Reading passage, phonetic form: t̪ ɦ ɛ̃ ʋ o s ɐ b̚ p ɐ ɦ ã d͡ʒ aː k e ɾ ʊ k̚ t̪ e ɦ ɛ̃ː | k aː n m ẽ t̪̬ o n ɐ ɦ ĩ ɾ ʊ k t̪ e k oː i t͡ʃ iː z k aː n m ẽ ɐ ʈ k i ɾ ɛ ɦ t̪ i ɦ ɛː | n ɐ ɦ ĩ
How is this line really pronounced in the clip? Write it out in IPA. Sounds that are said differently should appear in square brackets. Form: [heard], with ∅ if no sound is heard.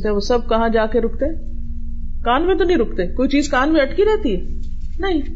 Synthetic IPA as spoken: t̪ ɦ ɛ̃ ʋ o s ɐ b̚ [k] ɐ ɦ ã d͡ʒ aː k e ɾ ʊ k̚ t̪ e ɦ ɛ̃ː | k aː n m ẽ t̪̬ o n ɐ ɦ ĩ ɾ ʊ k t̪ e k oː i t͡ʃ iː z k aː n m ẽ ɐ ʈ k i ɾ ɛ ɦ t̪ i ɦ ɛː | n ɐ ɦ ĩ